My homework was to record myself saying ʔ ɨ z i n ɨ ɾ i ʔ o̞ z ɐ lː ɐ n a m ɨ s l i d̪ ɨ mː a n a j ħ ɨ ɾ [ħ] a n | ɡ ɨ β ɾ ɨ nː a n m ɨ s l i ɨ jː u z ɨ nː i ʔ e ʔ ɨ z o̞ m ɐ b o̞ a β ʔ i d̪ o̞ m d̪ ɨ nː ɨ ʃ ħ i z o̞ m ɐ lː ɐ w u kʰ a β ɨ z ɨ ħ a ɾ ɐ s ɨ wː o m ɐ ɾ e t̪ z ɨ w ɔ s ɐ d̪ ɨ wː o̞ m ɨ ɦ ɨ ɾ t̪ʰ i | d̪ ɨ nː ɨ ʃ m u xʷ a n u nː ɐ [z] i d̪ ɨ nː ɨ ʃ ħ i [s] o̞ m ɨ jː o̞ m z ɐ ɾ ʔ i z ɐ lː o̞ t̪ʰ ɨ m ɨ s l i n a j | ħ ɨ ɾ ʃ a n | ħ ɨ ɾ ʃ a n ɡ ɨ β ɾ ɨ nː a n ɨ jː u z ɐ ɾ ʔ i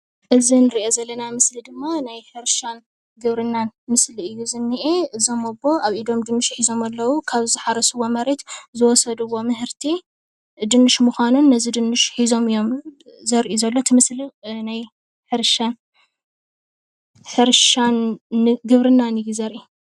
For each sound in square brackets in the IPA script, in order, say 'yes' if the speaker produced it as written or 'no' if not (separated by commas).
no, yes, no